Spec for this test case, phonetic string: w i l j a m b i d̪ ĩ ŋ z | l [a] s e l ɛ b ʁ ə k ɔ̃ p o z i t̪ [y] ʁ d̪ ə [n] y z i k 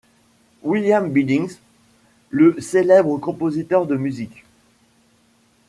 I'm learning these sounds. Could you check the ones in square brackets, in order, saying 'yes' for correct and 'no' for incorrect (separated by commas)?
no, no, no